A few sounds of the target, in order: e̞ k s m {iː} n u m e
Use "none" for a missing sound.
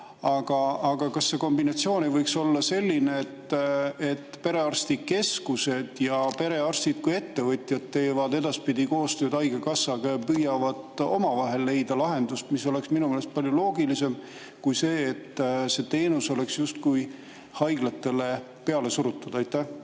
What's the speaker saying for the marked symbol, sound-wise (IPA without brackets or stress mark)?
i